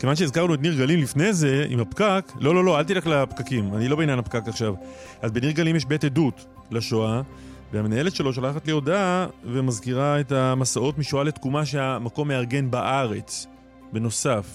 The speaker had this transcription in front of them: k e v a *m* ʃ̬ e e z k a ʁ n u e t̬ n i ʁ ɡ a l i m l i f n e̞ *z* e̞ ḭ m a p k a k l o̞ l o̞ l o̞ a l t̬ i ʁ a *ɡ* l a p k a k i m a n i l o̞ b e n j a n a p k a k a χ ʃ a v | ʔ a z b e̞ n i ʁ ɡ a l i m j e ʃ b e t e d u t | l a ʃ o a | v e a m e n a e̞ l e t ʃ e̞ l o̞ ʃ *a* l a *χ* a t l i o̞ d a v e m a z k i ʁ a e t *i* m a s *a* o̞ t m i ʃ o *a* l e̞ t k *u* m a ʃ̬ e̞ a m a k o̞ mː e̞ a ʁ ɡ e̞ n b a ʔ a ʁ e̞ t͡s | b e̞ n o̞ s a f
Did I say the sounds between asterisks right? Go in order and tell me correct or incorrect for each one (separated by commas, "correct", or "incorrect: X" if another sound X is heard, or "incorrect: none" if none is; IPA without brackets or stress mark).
incorrect: n, correct, incorrect: k, correct, correct, incorrect: a, correct, correct, correct